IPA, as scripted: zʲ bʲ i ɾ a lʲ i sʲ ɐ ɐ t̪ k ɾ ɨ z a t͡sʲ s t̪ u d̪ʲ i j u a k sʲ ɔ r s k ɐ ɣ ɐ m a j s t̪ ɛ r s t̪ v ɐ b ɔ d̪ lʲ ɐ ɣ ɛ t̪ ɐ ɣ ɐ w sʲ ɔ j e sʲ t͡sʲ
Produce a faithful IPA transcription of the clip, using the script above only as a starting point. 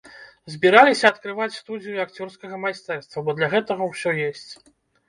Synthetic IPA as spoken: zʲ bʲ i ɾ a lʲ i sʲ ɐ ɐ t̪ k ɾ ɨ v a t͡sʲ s t̪ u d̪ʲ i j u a k t͡sʲ ɔ r s k ɐ ɣ ɐ m a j s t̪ ɛ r s t̪ v ɐ b ɔ d̪ lʲ ɐ ɣ ɛ t̪ ɐ ɣ ɐ w sʲ ɔ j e sʲ t͡sʲ